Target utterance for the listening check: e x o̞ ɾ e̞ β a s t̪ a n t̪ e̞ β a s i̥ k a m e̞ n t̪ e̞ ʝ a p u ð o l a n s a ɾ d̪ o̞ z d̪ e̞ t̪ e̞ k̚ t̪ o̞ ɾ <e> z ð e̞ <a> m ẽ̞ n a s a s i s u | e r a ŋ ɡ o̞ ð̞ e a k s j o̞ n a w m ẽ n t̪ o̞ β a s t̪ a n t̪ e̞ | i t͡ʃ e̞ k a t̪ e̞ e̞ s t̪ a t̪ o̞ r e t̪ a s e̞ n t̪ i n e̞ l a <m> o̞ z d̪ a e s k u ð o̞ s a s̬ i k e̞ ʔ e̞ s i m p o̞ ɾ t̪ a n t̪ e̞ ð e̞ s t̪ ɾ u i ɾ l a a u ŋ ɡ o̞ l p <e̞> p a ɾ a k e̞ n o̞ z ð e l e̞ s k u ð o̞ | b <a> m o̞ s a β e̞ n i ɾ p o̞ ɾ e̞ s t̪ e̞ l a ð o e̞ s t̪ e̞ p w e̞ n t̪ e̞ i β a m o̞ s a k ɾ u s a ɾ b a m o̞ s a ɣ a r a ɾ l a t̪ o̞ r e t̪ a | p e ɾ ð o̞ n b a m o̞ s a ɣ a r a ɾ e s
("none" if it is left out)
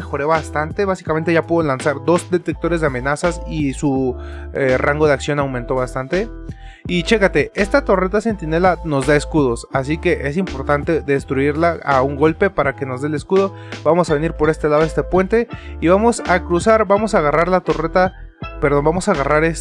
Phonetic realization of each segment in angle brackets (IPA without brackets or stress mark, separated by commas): e, a, n, e̞, a